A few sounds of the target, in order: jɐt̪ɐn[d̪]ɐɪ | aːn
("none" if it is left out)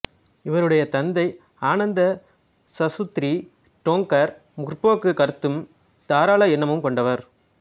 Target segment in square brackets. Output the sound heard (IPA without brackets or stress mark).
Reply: d̪